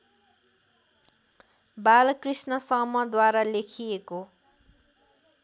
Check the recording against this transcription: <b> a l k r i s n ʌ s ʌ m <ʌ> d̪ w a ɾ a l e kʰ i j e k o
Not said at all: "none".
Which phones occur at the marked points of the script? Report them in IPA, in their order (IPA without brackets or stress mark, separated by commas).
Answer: b, ʌ